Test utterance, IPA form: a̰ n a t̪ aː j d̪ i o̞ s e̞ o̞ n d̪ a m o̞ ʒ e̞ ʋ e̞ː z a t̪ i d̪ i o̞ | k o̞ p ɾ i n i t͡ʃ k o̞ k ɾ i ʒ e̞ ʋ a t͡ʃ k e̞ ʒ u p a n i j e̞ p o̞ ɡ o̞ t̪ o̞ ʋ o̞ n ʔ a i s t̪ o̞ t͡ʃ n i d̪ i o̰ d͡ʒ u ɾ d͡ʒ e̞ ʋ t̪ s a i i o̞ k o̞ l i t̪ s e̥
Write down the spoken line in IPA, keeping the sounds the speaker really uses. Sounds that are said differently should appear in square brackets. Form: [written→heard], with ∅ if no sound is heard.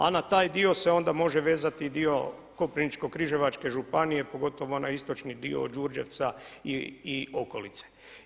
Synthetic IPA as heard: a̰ n a t̪ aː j d̪ i o̞ s e̞ o̞ n d̪ a m o̞ ʒ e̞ ʋ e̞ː z a t̪ i d̪ i o̞ | k o̞ p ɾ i n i t͡ʃ k o̞ k ɾ i ʒ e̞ ʋ a t͡ʃ k e̞ ʒ u p a n i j e̞ p o̞ ɡ o̞ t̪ o̞ ʋ o̞ n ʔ a i s t̪ o̞ t͡ʃ n i d̪ i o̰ d͡ʒ u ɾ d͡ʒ e̞ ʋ t̪ s a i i o̞ k o̞ l i t̪ s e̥

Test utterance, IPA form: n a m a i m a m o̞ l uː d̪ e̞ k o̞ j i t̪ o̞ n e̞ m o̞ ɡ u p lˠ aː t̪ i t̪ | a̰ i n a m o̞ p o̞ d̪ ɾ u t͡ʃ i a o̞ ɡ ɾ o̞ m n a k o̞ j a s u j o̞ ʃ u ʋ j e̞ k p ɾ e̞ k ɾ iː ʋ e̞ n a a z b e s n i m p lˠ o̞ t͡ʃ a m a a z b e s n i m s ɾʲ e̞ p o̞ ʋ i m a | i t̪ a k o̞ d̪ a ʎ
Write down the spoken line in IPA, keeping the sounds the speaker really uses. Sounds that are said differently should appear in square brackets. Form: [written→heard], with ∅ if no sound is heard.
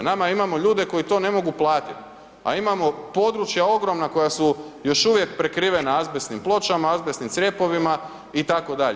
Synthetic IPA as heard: n a m a i m a m o̞ [l→ʎ] uː d̪ e̞ k o̞ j i t̪ o̞ n e̞ m o̞ ɡ u p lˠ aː t̪ i t̪ | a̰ i [n→m] a m o̞ p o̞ d̪ ɾ u t͡ʃ [i→j] a o̞ ɡ ɾ o̞ m n a k o̞ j a s u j o̞ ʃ u ʋ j e̞ k p ɾ e̞ k ɾ iː ʋ e̞ n a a z b e s n i m p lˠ o̞ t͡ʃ a m a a z b e s n i m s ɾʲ e̞ p o̞ ʋ i m a | i t̪ a k o̞ d̪ a ʎ

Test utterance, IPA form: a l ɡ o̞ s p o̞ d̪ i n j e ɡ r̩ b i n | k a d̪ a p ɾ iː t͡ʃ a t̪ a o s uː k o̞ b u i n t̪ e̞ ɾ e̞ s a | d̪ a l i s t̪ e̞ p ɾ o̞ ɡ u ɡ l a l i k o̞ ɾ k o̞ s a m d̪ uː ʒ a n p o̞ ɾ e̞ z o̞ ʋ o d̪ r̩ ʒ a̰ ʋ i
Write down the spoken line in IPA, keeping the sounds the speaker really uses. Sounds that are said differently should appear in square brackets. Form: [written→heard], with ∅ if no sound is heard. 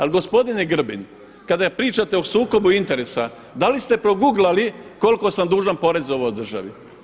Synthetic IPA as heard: a l ɡ o̞ s p o̞ d̪ i n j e ɡ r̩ b i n | k a d̪ a p ɾ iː t͡ʃ a t̪ [a→e] o s uː k o̞ b u i n t̪ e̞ ɾ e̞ s a | d̪ a l i s t̪ e̞ p ɾ o̞ ɡ u ɡ l a l i k o̞ [ɾ→l] k o̞ s a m d̪ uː ʒ a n p o̞ ɾ e̞ z o̞ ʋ o d̪ r̩ ʒ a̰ ʋ i

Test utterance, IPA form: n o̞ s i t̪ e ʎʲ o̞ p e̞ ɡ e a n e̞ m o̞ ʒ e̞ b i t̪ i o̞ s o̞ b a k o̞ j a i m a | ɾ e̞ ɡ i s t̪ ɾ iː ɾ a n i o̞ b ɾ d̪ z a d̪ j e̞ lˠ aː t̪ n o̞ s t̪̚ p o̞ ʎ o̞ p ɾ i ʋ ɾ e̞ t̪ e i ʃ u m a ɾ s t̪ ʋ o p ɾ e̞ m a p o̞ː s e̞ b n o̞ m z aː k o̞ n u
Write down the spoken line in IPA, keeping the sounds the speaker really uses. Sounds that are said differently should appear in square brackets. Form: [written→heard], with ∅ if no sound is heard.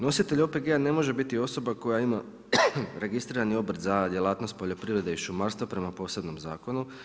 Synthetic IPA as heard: n o̞ s i t̪ e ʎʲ o̞ p e̞ ɡ e a n e̞ m o̞ ʒ e̞ b i t̪ i o̞ s o̞ b a k o̞ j a i m a | ɾ e̞ ɡ i s t̪ ɾ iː ɾ a n i o̞ b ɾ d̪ z a d̪ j e̞ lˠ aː t̪ n o̞ s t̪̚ p o̞ ʎ o̞ p ɾ i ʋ ɾ e̞ [t̪→d̪] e i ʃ u m a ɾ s t̪ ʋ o p ɾ e̞ m a p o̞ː s e̞ b n o̞ m z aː k o̞ n u

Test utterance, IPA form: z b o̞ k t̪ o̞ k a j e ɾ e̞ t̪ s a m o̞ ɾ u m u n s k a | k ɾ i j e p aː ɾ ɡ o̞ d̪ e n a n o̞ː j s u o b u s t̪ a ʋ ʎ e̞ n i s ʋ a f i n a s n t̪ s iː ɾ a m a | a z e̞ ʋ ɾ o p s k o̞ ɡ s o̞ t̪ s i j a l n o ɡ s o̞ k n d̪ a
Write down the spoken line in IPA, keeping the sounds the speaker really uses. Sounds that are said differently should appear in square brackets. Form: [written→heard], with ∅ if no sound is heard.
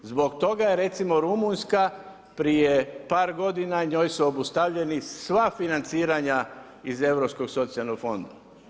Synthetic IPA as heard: z b o̞ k t̪ o̞ [k→ɡ] a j e ɾ e̞ t̪ s [a→i] m o̞ ɾ u m u n s k a | [k→p] ɾ i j e p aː ɾ ɡ o̞ d̪ [e→i] n a [n→ɲ] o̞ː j s u o b u s t̪ a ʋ ʎ e̞ n i s ʋ a f i n a [s→∅] n t̪ s iː ɾ a [m→ɲ] a | [a→i] z e̞ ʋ ɾ o p s k o̞ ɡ s o̞ t̪ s i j a l n o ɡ [s→f] o̞ [k→∅] n d̪ a

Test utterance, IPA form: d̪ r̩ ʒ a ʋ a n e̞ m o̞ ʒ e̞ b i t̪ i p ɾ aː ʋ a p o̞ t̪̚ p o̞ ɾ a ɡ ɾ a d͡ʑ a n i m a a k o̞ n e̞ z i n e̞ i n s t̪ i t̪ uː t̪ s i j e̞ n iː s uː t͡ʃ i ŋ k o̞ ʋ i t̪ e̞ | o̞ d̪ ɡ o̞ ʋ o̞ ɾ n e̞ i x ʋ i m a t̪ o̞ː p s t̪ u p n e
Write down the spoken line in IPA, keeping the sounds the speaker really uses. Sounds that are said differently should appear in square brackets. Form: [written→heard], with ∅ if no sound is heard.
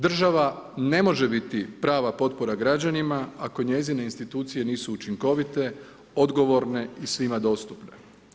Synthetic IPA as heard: d̪ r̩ ʒ a ʋ a n e̞ m o̞ ʒ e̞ b i t̪ i p ɾ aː ʋ a p o̞ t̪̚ p o̞ ɾ a ɡ ɾ a d͡ʑ a n i m a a k o̞ [n→ɲ] e̞ z i n e̞ i n s t̪ i t̪ uː t̪ s i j e̞ n iː s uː t͡ʃ i ŋ k o̞ ʋ i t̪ e̞ | o̞ d̪ ɡ o̞ ʋ o̞ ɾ n e̞ i [x→s] ʋ i m a [t̪→d̪] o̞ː [p→∅] s t̪ u p n e

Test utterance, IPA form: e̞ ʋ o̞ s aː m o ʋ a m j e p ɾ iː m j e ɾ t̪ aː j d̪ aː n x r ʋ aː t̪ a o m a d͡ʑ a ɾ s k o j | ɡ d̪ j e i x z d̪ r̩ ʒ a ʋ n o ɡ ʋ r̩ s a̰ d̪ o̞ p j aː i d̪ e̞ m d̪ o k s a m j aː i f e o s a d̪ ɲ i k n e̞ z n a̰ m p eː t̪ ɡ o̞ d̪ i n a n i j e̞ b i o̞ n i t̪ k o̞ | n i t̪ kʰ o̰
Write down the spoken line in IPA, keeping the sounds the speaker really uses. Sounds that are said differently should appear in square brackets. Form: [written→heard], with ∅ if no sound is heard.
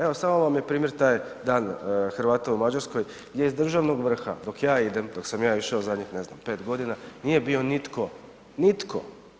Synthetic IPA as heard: e̞ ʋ o̞ s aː m o ʋ a m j e p ɾ iː m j e ɾ t̪ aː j d̪ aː n x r ʋ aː t̪ a [o→u] m a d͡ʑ a ɾ s k o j | ɡ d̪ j e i [x→∅] z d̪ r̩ ʒ a ʋ n o ɡ ʋ r̩ [s→x] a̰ d̪ o̞ [p→k] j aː i d̪ e̞ m d̪ o k s a m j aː i [f→ʃ] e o [s→z] a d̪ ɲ i [k→x] n e̞ z n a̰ m p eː t̪ ɡ o̞ d̪ i n a n i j e̞ b i o̞ n i t̪ k o̞ | n i t̪ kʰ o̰

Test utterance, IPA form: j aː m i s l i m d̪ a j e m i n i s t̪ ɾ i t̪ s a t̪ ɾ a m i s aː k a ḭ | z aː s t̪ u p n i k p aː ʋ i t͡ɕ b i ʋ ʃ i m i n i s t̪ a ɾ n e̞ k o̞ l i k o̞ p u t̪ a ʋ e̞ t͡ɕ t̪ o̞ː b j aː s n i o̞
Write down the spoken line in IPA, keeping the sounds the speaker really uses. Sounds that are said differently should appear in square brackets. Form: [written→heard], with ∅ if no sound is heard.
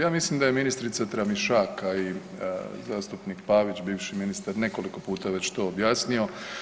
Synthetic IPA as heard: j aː m i s l i m d̪ a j e m i n i s t̪ ɾ i t̪ s a t̪ ɾ a m i [s→ʃ] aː k a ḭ | z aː s t̪ u p n i k p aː ʋ i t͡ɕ b [i→iː] ʋ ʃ i m i n i s t̪ a ɾ n e̞ k o̞ l i k o̞ p [u→uː] t̪ a ʋ e̞ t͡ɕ t̪ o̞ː b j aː s n i o̞

